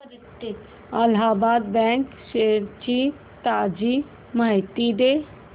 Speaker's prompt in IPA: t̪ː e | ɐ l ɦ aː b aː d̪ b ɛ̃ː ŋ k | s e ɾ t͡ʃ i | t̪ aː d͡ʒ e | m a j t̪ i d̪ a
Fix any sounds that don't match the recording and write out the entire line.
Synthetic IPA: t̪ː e | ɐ l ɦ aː b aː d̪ b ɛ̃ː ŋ k | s e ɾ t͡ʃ i | t̪ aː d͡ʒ i | m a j t̪ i d̪ e